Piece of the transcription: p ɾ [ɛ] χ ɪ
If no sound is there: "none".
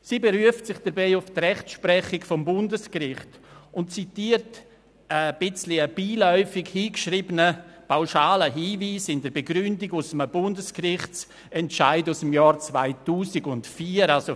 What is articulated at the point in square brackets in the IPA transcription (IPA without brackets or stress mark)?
ɛ